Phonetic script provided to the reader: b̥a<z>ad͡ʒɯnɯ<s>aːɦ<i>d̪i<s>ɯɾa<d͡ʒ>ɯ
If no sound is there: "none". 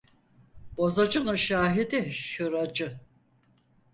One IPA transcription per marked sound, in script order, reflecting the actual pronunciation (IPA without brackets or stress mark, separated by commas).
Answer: z, ʃ, i, ʃ, d͡ʒ